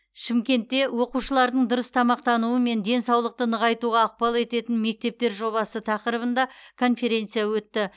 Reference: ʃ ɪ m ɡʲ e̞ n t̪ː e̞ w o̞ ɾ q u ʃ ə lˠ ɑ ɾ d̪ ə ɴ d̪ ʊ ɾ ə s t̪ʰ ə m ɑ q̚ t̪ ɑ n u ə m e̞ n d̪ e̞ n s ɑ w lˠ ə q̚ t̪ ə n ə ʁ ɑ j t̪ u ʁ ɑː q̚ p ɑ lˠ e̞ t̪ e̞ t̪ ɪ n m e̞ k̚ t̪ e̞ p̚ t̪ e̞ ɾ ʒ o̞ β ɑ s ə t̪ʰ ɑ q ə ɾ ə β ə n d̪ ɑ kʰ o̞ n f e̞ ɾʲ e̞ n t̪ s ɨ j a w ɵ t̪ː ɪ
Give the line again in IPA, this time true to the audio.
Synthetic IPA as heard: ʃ ɪ m kʲ e̞ n t̪ː e̞ w o̞ q u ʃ ə lˠ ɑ ɾ d̪ ə ɴ d̪ ʊ ɾ ə s t̪ʰ ɑ m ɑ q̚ t̪ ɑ n u ə m e̞ n d̪ e̞ n s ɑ w lˠ ə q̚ t̪ ə n ə ʁ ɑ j t̪ u ʁ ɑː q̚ p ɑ lˠ e̞ t̪ e̞ t̪ ɪ n m e̞ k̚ t̪ e̞ p̚ t̪ e̞ ɾ ʒ o̞ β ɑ s ə t̪ʰ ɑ q ə ɾ ə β ə n d̪ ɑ kʰ o̞ n f e̞ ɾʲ e̞ n t̪ s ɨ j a w ɵ t̪ː ɪ